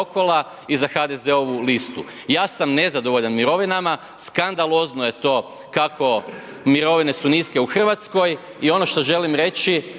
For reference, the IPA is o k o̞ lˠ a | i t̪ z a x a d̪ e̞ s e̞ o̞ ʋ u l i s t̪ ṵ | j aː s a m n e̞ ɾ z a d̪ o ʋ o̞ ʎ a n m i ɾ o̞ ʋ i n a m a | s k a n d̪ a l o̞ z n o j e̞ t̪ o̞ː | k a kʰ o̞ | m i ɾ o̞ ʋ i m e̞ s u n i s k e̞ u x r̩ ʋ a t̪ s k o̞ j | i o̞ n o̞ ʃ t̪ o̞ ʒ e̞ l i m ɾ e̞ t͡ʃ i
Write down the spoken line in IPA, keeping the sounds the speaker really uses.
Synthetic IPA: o k o̞ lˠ a | i z a x a d̪ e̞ z e̞ o̞ ʋ u l i s t̪ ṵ | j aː s a m n e̞ z a d̪ o ʋ o̞ ʎ a n m i ɾ o̞ ʋ i n a m a | s k a n d̪ a l o̞ z n o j e̞ t̪ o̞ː | k a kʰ o̞ | m i ɾ o̞ ʋ i n e̞ s u n i s k e̞ u x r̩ ʋ a t̪ s k o̞ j | i o̞ n o̞ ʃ t̪ o̞ ʒ e̞ l i m ɾ e̞ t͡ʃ i